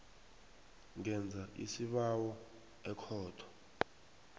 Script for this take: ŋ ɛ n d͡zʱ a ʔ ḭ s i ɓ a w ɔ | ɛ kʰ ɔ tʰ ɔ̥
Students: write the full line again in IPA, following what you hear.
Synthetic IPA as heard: ŋ ɛ n d͡zʱ a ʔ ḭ s i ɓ a w ɔ | ɛ kʰ ɔː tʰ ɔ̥